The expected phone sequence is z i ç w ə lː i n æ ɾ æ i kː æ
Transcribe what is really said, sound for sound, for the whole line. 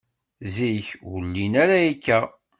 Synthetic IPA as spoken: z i ç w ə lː i n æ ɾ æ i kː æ

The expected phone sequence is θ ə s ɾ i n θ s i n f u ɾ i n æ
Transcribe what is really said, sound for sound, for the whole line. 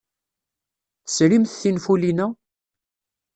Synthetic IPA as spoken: θ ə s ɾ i m θ θ i n f u l i n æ

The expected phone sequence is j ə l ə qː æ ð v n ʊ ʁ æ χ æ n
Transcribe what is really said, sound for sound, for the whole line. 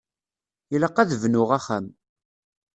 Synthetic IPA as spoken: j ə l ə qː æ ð v n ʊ ʁ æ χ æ m

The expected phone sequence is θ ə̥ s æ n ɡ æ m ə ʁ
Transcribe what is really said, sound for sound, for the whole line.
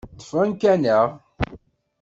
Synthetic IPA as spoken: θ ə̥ f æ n k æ n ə ʁ

